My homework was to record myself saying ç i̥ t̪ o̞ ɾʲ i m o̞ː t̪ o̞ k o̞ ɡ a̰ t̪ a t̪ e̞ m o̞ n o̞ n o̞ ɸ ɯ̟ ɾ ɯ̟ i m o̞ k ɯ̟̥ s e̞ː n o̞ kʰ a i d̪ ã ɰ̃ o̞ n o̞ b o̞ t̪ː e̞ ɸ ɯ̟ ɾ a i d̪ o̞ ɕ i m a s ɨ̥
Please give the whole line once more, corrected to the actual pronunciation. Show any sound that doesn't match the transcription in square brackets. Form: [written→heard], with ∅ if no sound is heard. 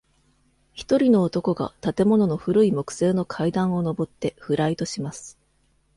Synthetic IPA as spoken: ç i̥ t̪ o̞ ɾʲ i [m→n] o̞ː t̪ o̞ k o̞ ɡ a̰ t̪ a t̪ e̞ m o̞ n o̞ n o̞ ɸ ɯ̟ ɾ ɯ̟ i m o̞ k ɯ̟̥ s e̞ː n o̞ kʰ a i d̪ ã ɰ̃ o̞ n o̞ b o̞ t̪ː e̞ ɸ ɯ̟ ɾ a i [d̪→t̪] o̞ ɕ i m a s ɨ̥